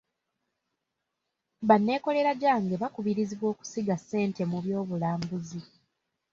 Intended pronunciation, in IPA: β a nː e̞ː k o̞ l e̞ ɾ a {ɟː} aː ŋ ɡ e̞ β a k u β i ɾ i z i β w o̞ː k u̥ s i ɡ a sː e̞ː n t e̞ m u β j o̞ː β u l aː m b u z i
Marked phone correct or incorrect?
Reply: incorrect